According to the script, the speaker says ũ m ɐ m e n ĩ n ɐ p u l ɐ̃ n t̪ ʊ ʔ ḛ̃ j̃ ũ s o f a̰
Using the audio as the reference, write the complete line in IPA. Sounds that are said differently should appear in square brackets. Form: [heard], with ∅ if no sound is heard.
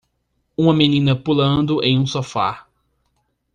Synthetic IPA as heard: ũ m ɐ m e n ĩ n ɐ p u l ɐ̃ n [d̪] ʊ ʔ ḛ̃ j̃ ũ s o f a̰